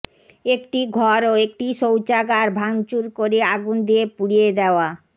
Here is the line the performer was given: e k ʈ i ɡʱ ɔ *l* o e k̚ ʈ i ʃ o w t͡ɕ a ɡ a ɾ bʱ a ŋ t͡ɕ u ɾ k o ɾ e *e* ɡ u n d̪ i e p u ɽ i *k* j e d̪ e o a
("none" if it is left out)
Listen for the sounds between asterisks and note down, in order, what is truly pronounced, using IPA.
ɾ, a, none

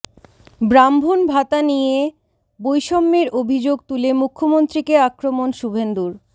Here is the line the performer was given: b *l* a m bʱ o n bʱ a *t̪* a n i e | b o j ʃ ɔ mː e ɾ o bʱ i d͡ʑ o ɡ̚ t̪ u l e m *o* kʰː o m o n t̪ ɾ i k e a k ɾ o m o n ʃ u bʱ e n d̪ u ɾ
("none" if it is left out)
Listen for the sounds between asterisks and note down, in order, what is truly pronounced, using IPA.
ɾ, t̪, u

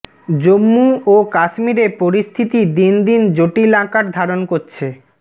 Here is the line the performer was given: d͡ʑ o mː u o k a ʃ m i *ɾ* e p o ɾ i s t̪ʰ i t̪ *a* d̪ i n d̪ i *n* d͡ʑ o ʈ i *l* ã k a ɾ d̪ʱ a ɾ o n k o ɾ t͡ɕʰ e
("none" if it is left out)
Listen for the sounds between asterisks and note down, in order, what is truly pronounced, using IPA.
ɾ, i, n, l

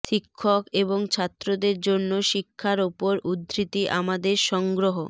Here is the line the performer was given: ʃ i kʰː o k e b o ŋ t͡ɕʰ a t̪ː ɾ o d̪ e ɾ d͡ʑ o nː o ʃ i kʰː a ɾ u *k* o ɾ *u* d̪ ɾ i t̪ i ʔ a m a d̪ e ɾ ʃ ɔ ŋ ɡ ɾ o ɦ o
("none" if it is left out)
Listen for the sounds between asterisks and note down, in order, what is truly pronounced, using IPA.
p, u

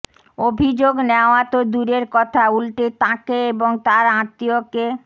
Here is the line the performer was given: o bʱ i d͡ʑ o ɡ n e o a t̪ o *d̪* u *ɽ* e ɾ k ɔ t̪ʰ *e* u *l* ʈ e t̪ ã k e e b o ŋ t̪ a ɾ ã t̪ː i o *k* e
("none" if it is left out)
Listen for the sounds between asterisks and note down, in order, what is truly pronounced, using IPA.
d̪, ɾ, a, l, k

